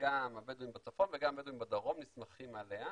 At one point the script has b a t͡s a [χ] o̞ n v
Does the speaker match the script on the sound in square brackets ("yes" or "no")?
no